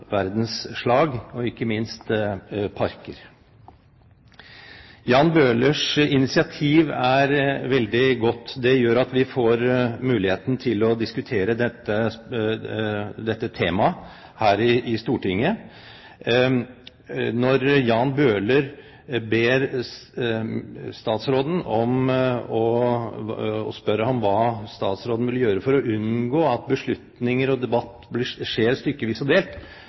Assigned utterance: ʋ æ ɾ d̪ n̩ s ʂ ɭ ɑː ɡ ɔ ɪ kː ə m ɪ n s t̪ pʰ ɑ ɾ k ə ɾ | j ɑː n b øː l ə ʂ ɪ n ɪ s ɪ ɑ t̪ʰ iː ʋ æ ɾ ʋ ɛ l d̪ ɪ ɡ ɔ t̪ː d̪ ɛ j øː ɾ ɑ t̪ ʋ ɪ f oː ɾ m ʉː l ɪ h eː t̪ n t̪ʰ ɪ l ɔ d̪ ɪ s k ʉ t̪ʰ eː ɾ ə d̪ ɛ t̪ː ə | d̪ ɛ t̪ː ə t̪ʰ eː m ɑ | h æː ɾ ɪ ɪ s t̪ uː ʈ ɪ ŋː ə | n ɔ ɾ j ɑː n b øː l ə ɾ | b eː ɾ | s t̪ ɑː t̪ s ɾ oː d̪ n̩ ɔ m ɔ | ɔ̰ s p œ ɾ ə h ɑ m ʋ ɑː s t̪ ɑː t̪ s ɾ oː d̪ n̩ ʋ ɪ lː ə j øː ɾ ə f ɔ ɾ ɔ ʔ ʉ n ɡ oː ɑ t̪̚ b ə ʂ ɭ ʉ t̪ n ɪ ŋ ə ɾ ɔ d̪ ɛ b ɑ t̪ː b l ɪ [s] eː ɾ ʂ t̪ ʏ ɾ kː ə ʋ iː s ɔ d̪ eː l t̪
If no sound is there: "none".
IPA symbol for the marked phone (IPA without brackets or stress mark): ʂ